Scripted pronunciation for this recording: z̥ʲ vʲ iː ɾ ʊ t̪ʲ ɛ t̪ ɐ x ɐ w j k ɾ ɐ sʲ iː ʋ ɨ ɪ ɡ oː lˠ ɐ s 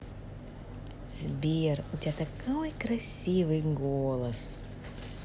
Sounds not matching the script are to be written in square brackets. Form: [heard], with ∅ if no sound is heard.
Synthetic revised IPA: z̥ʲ [bʲ] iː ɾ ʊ t̪ʲ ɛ t̪ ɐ [k] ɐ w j k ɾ ɐ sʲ iː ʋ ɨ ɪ ɡ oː lˠ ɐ s